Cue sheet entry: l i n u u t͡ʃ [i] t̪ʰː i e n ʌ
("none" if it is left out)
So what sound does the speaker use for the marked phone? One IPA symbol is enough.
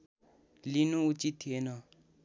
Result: i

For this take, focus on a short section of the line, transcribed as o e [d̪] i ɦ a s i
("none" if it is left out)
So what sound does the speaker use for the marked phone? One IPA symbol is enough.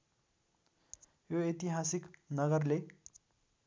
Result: t̪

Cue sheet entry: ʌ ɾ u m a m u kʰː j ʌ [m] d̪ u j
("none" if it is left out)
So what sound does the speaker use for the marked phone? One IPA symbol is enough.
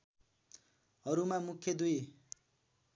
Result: none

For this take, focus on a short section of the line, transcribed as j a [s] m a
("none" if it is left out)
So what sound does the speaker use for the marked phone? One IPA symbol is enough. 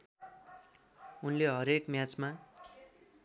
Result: t͡s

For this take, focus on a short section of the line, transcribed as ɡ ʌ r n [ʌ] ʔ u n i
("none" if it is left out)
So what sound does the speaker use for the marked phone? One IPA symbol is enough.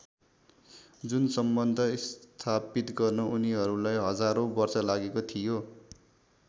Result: ʌ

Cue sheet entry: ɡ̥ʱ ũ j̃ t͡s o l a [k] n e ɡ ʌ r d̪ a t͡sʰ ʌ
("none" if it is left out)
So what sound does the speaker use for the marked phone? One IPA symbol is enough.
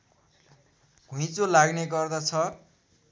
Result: ɡ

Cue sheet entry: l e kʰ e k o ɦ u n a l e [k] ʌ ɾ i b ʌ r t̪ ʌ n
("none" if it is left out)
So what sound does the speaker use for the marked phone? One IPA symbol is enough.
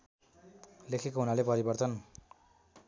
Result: p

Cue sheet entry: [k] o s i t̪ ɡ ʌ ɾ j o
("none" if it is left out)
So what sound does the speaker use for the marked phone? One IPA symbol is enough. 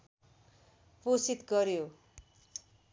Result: p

